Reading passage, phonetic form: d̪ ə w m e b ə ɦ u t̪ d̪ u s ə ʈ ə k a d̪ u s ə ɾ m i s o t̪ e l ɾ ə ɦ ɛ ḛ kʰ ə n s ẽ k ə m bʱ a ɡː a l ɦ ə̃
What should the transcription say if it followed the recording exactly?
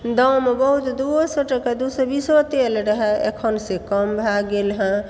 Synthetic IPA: d̪ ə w m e b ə ɦ u t̪ d̪ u s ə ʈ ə k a d̪ u s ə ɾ b i s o t̪ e l ɾ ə ɦ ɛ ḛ kʰ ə n s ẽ k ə m bʱ a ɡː e l ɦ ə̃